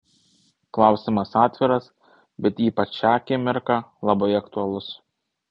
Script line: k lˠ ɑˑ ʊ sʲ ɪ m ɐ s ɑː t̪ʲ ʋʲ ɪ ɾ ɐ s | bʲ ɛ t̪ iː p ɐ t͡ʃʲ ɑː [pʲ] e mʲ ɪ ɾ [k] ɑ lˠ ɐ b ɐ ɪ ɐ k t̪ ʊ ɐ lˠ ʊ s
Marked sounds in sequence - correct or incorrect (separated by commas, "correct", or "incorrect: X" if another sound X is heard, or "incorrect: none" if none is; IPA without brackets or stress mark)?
incorrect: kʲ, correct